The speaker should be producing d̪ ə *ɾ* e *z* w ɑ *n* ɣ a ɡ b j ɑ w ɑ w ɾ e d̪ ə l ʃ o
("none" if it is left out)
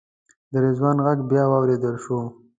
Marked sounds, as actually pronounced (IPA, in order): ɾ, z, n

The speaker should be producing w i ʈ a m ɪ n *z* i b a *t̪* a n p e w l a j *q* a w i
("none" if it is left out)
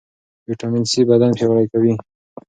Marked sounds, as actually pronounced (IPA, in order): s, d̪, k

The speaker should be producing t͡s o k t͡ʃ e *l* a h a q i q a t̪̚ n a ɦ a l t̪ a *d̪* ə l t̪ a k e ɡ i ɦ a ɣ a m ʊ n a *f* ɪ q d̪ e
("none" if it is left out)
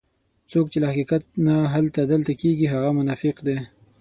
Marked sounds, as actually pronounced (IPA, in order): l, d̪, f

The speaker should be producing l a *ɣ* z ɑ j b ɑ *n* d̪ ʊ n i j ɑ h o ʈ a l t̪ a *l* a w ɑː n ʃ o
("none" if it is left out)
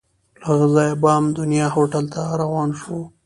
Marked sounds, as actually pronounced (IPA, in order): ɣ, m, ɾ

